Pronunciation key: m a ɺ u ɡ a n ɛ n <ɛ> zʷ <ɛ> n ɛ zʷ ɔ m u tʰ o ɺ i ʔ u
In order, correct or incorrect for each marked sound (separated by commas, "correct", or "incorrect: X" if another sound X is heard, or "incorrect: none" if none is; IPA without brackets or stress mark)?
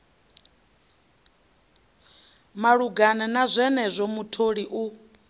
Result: incorrect: a, correct